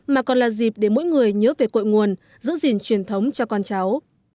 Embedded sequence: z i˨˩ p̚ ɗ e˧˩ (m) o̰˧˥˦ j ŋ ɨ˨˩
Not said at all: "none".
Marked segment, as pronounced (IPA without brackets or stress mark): m